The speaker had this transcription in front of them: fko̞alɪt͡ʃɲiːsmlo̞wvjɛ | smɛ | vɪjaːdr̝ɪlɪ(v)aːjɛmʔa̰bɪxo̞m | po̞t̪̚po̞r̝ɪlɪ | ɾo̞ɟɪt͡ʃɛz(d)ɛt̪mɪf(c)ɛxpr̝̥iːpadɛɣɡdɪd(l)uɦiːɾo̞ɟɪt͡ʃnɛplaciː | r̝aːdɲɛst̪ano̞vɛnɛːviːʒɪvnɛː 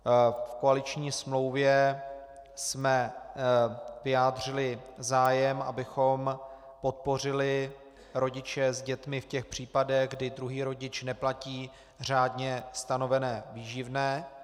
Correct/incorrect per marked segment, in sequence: incorrect: z, incorrect: ɟ, correct, incorrect: ɾ

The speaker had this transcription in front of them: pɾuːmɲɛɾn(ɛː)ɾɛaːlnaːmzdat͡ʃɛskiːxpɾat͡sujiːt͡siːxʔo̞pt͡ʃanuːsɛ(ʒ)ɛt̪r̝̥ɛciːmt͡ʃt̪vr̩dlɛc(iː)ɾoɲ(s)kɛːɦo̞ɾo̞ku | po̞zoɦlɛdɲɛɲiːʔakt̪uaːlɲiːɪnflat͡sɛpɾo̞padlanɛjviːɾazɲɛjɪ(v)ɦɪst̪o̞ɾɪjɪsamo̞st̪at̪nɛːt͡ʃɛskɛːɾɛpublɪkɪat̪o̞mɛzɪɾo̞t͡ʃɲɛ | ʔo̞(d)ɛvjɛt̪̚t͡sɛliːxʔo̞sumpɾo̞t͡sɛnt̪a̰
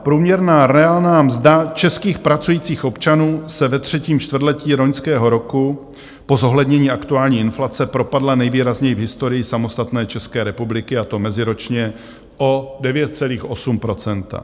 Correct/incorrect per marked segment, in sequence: incorrect: aː, incorrect: v, correct, correct, correct, correct

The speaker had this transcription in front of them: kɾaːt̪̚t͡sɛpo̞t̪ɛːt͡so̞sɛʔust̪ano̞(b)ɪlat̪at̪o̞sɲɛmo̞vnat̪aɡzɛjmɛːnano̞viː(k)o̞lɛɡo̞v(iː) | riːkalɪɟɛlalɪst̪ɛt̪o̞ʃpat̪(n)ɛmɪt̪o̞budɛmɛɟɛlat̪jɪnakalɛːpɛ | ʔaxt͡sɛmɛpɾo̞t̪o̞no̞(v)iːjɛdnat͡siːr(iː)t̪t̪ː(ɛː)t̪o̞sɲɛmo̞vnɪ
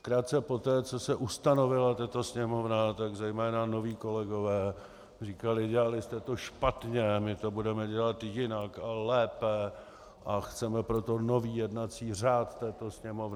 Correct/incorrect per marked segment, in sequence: incorrect: v, correct, incorrect: ɛː, incorrect: ɲ, correct, incorrect: aː, correct

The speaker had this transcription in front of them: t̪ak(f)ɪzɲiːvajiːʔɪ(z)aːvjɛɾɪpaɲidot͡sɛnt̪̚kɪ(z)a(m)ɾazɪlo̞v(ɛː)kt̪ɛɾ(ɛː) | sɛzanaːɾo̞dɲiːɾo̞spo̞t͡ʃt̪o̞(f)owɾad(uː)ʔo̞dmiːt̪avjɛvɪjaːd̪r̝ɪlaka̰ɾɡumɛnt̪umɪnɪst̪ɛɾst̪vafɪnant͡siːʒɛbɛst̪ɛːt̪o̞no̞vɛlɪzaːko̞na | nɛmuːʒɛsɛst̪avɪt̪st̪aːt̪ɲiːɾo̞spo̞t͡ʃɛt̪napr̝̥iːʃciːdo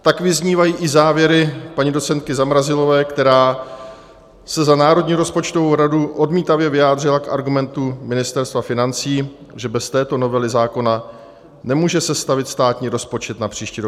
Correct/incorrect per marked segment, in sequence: incorrect: v, correct, correct, correct, correct, incorrect: aː, incorrect: v, incorrect: u

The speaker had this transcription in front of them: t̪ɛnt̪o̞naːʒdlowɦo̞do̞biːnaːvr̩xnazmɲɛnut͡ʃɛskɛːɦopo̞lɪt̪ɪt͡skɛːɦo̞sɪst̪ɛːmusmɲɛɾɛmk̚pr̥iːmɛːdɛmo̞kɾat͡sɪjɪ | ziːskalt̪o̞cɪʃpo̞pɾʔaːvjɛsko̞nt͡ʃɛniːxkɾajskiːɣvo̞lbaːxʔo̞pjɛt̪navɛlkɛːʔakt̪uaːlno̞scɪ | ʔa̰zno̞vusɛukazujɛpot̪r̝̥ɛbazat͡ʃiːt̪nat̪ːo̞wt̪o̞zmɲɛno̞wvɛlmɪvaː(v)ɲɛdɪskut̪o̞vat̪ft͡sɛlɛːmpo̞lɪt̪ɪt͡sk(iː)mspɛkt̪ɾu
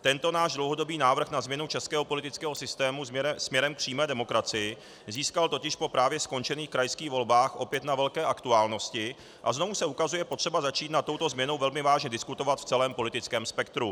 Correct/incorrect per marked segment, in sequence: incorrect: ʒ, incorrect: ɛː

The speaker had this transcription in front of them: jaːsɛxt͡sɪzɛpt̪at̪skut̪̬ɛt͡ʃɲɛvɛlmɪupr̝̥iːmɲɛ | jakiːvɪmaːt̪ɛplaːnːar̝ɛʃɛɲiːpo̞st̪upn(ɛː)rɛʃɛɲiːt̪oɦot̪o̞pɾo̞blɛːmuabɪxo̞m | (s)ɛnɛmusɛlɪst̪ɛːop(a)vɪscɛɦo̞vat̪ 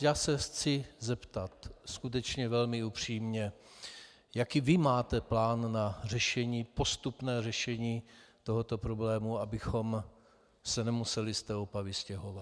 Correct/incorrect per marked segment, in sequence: correct, correct, correct

